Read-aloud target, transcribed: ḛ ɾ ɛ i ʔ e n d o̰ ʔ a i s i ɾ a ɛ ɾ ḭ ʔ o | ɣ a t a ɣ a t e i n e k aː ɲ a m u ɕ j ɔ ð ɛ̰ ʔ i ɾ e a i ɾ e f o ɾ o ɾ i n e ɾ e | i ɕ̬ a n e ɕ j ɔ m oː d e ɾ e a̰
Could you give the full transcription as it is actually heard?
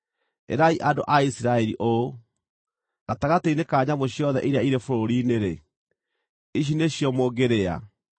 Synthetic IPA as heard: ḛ ɾ a i ʔ a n d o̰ ʔ a i s i ɾ a ɛ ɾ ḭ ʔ o | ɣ a t a ɣ a t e i n e k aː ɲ a m o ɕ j ɔ ð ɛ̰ ʔ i ɾ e a i ɾ e f o ɾ o ɾ i n e ɾ e | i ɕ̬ i n e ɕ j ɔ m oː ɡ e ɾ e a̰